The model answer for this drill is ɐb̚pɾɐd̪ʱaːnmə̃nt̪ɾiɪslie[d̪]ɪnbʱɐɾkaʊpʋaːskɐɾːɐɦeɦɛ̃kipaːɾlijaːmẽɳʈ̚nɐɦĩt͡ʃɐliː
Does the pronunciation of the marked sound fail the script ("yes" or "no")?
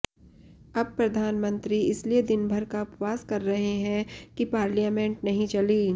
no